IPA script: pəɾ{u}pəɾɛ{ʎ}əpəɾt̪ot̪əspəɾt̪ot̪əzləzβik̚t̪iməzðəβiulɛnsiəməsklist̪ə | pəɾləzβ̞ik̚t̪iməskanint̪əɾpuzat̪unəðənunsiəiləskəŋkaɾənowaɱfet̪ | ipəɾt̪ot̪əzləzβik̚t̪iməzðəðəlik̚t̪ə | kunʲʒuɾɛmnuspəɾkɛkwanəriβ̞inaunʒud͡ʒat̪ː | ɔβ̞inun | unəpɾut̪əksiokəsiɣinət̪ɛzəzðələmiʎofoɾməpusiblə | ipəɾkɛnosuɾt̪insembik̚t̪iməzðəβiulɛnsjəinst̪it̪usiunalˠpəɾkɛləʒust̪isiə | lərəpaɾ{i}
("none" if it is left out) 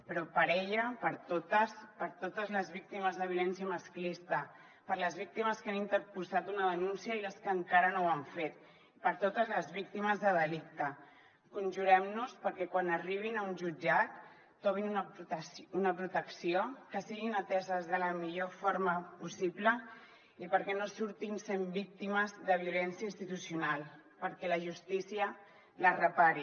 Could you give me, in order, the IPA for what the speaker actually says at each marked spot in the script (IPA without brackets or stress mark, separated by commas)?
ɔ, ʎ, i